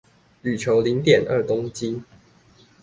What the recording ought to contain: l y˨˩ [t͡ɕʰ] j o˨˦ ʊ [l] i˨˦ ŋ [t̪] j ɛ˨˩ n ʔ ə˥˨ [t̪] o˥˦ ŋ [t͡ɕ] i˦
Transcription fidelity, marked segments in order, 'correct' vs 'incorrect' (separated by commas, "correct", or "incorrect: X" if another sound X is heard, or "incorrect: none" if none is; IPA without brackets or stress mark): correct, correct, correct, correct, correct